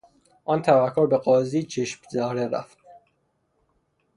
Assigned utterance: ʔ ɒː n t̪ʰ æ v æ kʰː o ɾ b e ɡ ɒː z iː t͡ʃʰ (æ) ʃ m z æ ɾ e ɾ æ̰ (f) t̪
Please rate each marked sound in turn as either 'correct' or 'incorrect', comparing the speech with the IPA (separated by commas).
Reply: incorrect, correct